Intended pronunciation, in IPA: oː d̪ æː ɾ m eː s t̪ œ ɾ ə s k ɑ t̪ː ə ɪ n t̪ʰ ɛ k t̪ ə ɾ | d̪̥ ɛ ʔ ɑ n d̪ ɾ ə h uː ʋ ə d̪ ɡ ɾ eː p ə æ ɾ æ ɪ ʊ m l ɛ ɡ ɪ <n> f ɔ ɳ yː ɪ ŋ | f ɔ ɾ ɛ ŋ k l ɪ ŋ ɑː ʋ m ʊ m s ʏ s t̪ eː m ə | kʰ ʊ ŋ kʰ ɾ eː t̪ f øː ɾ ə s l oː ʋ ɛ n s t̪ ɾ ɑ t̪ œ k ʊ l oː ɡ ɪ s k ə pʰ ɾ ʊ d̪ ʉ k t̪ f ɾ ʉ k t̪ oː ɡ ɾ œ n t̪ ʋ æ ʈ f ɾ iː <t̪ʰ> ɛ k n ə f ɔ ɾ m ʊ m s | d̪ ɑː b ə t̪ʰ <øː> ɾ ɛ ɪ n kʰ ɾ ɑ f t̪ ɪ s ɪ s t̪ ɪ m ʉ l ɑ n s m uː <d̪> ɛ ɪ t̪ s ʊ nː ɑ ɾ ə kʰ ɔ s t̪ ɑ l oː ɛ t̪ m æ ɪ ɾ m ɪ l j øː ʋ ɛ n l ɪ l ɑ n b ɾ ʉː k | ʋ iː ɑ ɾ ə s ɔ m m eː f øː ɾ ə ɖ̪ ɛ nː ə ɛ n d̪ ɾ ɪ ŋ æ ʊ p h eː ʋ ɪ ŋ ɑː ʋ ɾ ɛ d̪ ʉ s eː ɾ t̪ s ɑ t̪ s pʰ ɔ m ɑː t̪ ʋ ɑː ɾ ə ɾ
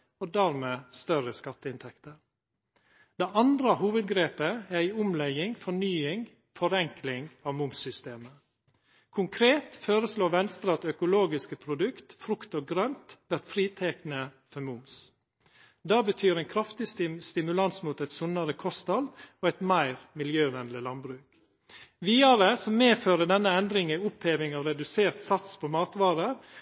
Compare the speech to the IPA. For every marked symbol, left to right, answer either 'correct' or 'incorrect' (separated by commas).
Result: incorrect, correct, incorrect, incorrect